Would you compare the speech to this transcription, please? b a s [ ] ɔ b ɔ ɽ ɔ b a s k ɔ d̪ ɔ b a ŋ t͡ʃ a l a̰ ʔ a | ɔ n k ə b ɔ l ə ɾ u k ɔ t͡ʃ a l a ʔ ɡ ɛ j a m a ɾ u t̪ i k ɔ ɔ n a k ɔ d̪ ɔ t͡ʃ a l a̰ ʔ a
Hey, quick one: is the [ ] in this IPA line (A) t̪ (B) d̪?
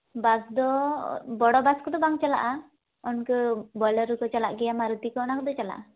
B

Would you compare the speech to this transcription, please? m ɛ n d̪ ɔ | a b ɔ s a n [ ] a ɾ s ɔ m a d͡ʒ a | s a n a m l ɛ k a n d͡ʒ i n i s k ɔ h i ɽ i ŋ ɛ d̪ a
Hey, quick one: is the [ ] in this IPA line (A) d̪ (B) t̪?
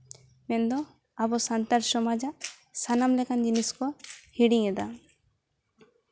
B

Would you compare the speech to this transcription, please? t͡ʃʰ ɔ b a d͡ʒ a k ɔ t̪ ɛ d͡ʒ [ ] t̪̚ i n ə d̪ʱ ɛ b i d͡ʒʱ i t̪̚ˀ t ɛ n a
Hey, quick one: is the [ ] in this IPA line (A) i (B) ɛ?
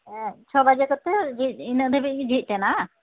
A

